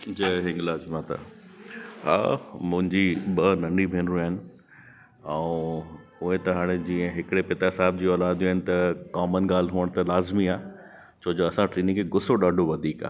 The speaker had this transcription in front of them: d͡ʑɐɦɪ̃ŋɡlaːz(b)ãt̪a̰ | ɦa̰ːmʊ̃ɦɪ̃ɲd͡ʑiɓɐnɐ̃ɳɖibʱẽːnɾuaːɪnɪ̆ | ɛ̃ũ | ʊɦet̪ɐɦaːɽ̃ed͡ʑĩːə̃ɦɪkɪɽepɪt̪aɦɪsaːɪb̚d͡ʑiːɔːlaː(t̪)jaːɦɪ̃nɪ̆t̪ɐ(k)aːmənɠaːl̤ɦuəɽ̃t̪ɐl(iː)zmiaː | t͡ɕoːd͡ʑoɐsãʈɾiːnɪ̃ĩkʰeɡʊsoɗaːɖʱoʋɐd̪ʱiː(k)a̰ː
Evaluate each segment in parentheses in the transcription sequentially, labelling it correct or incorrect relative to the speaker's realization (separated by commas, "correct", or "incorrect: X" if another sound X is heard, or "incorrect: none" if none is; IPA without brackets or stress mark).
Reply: incorrect: m, incorrect: d̪, correct, incorrect: aː, correct